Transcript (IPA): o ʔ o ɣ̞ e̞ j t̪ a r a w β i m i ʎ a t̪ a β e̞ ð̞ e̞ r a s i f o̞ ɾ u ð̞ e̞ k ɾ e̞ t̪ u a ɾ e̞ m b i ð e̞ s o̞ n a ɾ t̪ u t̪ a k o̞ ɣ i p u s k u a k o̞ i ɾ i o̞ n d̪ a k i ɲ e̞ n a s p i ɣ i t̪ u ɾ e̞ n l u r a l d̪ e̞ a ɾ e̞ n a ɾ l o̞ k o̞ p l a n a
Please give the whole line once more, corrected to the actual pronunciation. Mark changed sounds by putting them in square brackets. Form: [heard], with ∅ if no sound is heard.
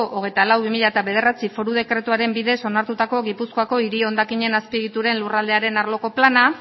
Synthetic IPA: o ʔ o ɣ̞ e̞ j t̪ a [l] a w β i m i ʎ a t̪ a β e̞ ð̞ e̞ r a [t͡s] i f o̞ ɾ u ð̞ e̞ k ɾ e̞ t̪ u a ɾ e̞ m b i ð e̞ s o̞ n a ɾ t̪ u t̪ a k o̞ ɣ i p u s k [o] a k o̞ i ɾ i o̞ n d̪ a k i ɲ e̞ n a s p i ɣ i t̪ u ɾ e̞ n l u r a l d̪ e̞ a ɾ e̞ n a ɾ l o̞ k o̞ p l a n a